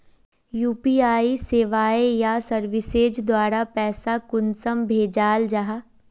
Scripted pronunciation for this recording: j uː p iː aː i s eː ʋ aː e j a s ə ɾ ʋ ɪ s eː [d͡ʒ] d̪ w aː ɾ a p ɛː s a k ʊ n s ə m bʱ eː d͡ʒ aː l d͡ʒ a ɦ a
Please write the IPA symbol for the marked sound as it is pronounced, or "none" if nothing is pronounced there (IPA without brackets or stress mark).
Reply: d͡ʒ